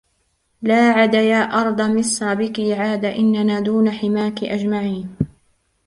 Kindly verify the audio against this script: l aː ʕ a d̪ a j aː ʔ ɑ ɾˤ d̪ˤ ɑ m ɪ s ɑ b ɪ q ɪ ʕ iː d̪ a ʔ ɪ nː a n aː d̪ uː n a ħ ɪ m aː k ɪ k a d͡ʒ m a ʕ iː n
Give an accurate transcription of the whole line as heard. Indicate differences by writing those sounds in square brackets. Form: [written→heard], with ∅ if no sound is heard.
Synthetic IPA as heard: l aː ʕ a d̪ a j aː ʔ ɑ ɾˤ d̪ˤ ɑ m ɪ s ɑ b ɪ [q→k] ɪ ʕ [iː→aː] d̪ a ʔ ɪ nː a n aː d̪ uː n a ħ ɪ m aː k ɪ [k→ʔ] a d͡ʒ m a ʕ iː n